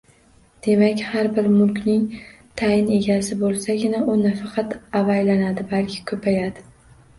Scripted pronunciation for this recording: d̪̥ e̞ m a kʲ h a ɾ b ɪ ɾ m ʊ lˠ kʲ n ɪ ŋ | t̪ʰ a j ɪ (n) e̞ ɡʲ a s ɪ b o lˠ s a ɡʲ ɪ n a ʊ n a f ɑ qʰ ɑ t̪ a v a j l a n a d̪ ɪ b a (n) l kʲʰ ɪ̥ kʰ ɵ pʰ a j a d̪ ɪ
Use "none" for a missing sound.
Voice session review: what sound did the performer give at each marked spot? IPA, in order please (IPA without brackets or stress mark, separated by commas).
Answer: n, none